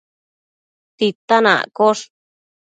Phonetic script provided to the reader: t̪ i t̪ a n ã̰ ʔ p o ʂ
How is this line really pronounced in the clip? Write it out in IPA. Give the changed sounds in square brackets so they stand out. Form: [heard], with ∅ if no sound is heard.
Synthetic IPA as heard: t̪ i t̪ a n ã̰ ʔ [k] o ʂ